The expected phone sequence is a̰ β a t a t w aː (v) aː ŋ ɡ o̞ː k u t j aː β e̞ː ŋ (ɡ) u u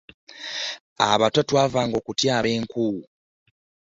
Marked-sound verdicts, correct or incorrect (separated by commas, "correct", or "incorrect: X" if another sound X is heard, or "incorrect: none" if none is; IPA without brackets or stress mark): correct, incorrect: k